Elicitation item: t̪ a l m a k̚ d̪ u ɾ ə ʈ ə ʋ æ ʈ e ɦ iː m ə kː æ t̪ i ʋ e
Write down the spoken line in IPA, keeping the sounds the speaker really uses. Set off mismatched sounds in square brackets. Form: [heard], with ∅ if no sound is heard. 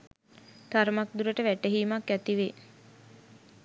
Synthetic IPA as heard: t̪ a [ɾ] m a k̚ d̪ u ɾ ə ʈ ə ʋ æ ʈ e ɦ iː m [a] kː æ t̪ i ʋ e